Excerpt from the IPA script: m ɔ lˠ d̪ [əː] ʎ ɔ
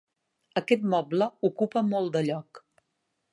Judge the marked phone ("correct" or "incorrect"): incorrect